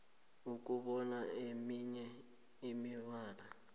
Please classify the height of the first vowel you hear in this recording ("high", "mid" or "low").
high